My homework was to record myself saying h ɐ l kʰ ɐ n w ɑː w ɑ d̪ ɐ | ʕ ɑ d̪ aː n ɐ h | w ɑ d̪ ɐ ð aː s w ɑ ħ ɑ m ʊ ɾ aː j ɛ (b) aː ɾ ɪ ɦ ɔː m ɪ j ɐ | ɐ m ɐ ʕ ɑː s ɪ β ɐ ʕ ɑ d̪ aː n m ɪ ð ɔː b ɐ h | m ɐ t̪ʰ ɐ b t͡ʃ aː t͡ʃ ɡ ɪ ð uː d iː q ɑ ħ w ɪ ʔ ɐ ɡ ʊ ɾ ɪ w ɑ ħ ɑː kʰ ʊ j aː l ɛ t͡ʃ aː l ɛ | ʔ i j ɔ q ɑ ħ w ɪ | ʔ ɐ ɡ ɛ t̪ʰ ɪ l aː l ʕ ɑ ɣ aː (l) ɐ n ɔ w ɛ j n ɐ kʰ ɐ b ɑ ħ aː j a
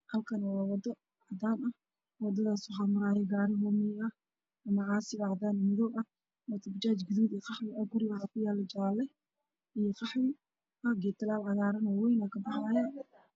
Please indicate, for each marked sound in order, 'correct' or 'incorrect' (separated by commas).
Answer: incorrect, incorrect